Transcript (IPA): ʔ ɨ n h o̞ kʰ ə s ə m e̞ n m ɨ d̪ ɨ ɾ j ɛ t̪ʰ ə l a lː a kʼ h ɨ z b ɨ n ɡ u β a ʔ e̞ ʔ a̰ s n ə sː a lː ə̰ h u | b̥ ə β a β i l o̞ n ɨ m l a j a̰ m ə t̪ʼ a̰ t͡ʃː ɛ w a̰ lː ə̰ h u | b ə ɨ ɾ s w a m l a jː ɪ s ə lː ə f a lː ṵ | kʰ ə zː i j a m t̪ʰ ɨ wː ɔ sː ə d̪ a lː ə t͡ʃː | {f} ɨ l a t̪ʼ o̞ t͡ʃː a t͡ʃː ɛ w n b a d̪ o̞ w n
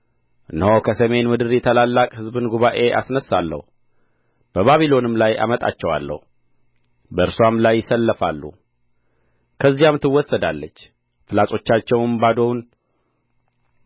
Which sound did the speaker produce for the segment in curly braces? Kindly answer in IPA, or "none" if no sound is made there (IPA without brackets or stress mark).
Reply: f